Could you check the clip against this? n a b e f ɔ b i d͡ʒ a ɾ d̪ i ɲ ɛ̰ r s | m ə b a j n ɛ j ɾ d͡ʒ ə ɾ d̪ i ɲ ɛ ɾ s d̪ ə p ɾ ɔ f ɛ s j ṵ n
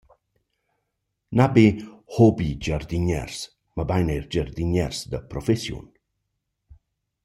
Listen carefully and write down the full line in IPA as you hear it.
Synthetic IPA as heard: n a b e h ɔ b i d͡ʒ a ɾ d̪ i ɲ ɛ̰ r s | m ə b a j n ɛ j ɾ d͡ʒ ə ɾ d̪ i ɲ ɛ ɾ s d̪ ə p ɾ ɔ f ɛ s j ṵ n